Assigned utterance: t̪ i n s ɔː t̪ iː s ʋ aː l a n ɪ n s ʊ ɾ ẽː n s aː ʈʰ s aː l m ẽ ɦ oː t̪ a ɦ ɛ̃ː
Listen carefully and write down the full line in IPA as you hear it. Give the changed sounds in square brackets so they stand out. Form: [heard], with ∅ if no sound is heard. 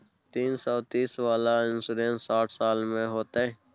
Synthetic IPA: t̪ [iː] n s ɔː t̪ iː s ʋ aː l a [∅] ɪ n s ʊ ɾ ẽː n s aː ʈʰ s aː l m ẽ ɦ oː t̪ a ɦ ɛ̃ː